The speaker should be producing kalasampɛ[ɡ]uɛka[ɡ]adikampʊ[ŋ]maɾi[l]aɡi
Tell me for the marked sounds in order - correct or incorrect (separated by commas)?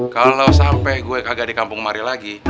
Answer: correct, correct, correct, correct